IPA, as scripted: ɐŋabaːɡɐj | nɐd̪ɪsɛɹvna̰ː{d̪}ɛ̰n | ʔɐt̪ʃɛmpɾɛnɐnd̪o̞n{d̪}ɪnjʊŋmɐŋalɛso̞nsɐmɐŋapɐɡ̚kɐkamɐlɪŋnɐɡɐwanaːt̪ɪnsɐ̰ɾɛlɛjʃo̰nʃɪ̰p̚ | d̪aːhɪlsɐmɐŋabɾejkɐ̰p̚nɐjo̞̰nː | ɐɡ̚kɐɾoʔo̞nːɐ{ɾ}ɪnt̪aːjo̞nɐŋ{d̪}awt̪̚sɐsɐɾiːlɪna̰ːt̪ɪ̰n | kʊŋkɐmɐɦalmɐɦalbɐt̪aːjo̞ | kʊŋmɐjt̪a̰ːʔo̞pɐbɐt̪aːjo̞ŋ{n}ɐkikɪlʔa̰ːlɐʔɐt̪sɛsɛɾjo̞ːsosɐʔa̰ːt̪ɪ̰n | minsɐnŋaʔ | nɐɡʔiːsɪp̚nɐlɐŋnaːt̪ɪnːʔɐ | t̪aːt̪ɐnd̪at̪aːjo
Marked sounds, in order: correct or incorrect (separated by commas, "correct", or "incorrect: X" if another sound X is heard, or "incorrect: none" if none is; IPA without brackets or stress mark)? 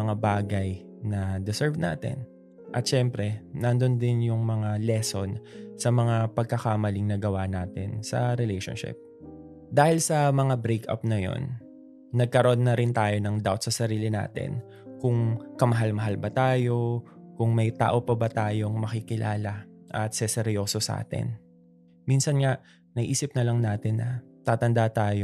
incorrect: t̪, correct, correct, correct, incorrect: m